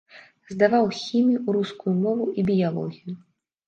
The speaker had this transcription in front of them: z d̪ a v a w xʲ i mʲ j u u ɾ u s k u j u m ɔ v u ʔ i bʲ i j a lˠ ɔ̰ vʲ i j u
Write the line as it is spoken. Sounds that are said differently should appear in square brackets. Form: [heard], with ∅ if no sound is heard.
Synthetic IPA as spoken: z d̪ a v a w xʲ i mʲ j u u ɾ u s k u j u m ɔ v u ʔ i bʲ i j a lˠ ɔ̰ [ɣʲ] i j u

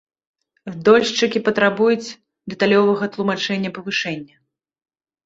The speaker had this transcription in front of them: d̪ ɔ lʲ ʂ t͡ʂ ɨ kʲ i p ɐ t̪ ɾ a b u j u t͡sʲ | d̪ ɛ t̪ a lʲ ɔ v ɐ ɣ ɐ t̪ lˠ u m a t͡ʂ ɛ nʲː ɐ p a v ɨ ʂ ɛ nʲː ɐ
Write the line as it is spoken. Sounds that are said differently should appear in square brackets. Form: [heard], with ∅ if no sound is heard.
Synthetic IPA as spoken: d̪ ɔ lʲ ʂ t͡ʂ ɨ kʲ i p ɐ t̪ ɾ a b u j u t͡sʲ | d̪ ɛ t̪ a lʲ ɔ v ɐ ɣ ɐ t̪ lˠ u m a t͡ʂ ɛ nʲː ɐ p [ɐ] v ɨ ʂ ɛ nʲː ɐ

